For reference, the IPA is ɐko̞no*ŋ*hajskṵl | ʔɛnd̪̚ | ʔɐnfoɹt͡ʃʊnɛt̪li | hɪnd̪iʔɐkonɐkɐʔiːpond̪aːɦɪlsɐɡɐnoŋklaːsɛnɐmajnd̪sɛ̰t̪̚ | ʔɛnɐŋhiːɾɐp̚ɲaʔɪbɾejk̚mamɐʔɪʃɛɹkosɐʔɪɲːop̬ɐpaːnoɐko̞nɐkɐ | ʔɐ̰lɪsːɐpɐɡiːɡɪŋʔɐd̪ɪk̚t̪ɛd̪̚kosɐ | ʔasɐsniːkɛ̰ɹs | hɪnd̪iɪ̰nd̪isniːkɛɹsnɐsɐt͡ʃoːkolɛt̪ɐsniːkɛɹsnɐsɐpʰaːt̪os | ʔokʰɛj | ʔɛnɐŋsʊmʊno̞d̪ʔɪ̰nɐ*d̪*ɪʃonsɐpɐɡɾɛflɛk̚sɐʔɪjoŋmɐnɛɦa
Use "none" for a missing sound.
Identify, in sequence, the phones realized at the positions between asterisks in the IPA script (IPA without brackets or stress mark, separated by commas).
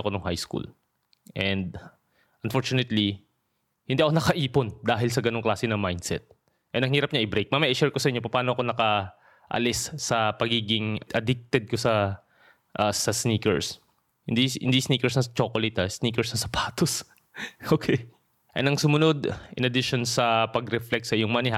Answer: ŋ, d̪